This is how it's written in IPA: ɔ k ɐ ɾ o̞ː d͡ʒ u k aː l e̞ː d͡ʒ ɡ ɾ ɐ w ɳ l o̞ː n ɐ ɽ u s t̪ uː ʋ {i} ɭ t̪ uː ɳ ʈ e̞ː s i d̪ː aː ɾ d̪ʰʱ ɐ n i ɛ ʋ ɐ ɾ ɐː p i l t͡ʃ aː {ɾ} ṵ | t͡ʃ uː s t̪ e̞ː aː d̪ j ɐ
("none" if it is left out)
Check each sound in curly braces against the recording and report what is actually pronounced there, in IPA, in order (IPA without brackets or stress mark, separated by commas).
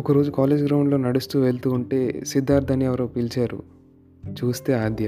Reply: e, ɾ